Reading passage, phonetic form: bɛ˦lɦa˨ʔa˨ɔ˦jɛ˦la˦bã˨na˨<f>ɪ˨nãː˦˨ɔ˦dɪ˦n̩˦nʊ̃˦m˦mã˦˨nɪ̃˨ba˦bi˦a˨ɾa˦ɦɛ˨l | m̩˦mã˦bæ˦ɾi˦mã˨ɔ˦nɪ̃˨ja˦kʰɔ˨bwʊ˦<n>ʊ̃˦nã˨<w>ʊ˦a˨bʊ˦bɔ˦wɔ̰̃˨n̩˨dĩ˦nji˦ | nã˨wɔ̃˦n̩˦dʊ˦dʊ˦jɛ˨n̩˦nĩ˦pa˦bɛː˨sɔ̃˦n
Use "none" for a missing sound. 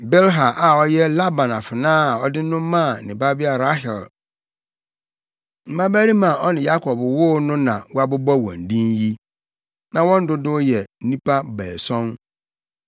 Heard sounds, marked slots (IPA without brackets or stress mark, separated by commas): f, n, w